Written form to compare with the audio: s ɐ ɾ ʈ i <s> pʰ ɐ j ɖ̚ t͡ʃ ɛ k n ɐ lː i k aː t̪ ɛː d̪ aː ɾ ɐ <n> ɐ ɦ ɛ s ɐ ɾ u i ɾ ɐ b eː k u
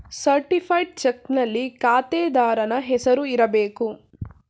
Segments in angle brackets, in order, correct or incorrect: incorrect, correct

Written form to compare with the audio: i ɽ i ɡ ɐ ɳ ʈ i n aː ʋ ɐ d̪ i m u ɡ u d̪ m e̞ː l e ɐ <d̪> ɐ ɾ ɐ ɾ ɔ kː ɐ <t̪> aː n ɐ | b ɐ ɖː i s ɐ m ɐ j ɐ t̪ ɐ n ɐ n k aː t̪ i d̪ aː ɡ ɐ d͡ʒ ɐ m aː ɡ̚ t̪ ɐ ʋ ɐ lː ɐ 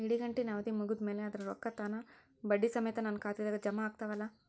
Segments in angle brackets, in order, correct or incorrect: correct, correct

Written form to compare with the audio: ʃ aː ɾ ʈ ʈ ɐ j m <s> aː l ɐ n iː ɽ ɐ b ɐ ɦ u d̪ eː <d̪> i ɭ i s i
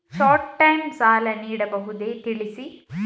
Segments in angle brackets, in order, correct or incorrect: correct, incorrect

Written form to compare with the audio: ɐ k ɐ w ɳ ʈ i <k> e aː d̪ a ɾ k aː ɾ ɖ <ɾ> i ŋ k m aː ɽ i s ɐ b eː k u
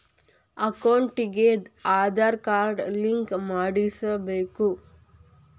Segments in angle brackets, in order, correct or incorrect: incorrect, incorrect

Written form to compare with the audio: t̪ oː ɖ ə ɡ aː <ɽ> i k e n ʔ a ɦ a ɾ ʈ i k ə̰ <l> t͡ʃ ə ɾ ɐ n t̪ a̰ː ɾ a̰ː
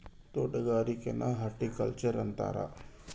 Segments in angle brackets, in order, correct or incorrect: incorrect, correct

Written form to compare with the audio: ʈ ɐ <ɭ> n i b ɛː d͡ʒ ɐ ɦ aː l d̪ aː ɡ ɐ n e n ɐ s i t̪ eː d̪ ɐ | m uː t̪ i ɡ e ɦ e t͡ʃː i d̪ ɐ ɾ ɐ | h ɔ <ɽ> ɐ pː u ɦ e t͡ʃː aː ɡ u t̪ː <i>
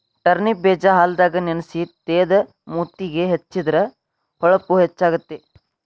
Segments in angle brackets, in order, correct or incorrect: incorrect, incorrect, incorrect

